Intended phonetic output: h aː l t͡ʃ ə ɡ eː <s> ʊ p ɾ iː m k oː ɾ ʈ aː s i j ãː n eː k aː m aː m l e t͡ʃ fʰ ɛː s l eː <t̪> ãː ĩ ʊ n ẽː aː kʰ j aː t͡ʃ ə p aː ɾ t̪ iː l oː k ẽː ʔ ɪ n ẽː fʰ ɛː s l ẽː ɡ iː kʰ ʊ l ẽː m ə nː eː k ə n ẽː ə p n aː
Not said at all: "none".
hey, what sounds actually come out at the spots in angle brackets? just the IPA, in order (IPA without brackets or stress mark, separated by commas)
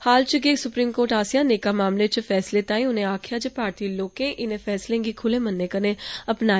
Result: s, t̪